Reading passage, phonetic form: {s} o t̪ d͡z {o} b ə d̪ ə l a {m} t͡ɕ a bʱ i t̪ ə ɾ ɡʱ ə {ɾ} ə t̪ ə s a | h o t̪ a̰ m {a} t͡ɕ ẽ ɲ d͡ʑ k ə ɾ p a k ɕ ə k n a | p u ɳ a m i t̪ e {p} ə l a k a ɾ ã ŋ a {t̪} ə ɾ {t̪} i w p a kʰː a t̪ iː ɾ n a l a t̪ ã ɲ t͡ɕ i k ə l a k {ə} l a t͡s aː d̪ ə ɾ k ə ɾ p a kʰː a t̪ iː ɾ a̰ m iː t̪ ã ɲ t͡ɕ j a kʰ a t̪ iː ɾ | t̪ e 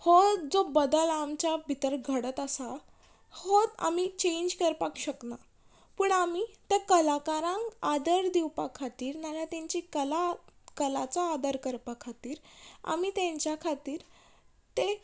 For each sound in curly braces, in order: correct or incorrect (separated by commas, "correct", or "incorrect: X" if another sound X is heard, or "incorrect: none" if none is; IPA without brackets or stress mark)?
incorrect: h, correct, correct, incorrect: ɽ, incorrect: i, incorrect: k, incorrect: d̪, incorrect: d̪, correct